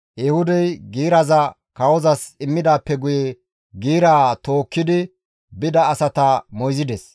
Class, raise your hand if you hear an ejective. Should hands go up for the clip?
no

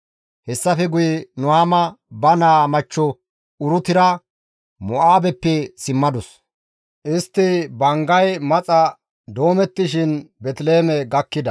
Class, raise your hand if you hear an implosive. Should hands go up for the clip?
no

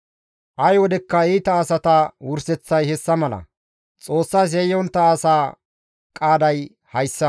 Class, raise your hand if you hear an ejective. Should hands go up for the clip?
yes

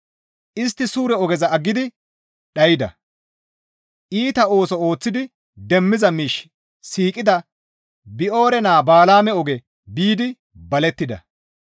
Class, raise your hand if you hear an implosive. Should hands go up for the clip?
yes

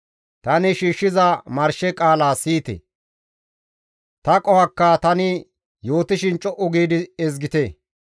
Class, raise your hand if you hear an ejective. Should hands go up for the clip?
yes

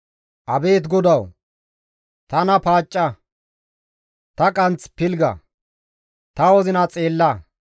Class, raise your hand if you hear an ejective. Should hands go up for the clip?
yes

